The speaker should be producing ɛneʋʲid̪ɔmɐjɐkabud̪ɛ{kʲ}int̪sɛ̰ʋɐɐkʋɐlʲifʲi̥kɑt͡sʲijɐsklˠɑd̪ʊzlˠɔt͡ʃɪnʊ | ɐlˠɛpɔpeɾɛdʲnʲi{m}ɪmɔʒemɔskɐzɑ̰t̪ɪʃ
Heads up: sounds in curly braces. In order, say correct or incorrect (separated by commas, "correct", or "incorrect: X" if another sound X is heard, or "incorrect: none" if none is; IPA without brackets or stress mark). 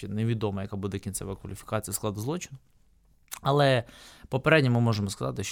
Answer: correct, correct